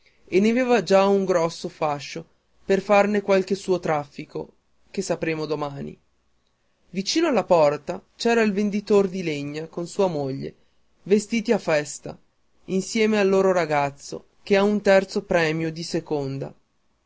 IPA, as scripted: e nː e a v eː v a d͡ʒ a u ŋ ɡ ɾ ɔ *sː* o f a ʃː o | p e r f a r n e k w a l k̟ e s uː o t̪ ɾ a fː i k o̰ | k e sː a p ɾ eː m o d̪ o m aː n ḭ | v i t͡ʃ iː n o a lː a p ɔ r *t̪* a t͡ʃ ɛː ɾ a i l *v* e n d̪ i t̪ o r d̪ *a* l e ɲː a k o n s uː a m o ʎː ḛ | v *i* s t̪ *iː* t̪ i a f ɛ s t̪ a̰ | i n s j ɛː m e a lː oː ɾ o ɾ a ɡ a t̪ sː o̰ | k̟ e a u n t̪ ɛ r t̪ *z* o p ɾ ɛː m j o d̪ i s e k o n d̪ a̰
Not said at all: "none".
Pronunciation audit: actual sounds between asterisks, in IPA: sː, t̪, v, i, e, iː, s

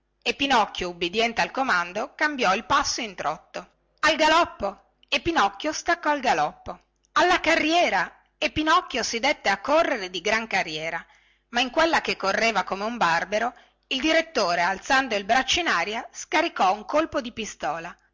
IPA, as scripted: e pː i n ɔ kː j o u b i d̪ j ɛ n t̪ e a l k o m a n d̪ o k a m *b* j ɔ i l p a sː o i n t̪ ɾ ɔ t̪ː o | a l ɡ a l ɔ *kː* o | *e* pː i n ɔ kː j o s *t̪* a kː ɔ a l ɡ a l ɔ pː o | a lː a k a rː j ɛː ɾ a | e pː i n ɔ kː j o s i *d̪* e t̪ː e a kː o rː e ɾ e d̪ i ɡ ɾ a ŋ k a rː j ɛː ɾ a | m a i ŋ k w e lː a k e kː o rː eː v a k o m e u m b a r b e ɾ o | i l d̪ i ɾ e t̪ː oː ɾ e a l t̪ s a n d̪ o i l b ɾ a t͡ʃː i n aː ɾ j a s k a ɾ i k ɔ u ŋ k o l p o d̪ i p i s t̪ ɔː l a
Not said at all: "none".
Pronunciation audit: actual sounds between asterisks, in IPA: b, pː, e, t̪, d̪

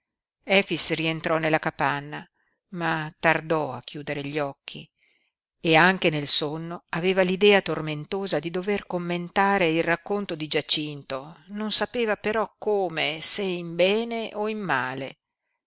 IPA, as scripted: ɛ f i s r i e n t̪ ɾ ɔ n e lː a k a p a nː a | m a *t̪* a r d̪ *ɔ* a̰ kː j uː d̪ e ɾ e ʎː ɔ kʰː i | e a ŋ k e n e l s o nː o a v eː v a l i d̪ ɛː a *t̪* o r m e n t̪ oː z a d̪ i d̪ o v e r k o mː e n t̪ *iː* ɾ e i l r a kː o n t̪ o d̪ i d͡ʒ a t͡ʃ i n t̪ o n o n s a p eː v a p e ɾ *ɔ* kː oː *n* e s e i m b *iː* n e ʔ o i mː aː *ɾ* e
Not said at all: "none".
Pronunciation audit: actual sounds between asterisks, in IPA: t̪, ɔ, t̪, aː, ɔ, m, ɛː, l

